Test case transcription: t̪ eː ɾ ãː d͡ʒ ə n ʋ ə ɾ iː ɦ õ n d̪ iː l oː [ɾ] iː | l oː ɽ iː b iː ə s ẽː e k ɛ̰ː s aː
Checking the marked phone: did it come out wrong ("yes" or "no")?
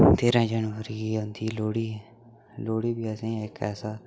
yes